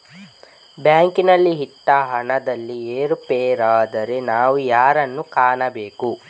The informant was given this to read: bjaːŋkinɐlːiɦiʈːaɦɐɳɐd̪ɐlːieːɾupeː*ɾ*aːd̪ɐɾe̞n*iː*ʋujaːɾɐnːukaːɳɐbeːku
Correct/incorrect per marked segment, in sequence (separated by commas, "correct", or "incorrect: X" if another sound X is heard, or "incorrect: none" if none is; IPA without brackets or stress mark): correct, incorrect: aː